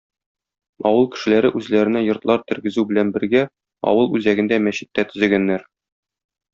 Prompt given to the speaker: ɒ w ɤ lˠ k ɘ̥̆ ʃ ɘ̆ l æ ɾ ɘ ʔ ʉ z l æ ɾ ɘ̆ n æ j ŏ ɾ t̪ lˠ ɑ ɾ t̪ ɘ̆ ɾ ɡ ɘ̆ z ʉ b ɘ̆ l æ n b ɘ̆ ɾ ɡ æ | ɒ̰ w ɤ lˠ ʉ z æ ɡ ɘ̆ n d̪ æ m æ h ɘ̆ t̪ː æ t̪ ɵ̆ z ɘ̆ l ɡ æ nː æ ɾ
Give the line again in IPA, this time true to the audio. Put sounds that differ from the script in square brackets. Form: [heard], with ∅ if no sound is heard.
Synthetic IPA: ɒ w ɤ lˠ k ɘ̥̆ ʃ ɘ̆ l æ ɾ ɘ ʔ ʉ z l æ ɾ ɘ̆ n æ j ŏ ɾ t̪ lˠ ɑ ɾ t̪ ɘ̆ ɾ ɡ ɘ̆ z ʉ b ɘ̆ l æ n b ɘ̆ ɾ ɡ æ | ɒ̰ w ɤ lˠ ʉ z æ ɡ ɘ̆ n d̪ æ m æ [ɕ] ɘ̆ t̪ː æ t̪ ɵ̆ z ɘ̆ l ɡ æ nː æ ɾ